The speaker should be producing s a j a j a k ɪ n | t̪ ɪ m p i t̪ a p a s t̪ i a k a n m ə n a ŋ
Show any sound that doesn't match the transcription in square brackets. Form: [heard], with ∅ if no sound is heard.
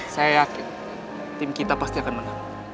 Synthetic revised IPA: s a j a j a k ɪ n | t̪ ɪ m [k] i t̪ a p a s t̪ i a k a n m ə n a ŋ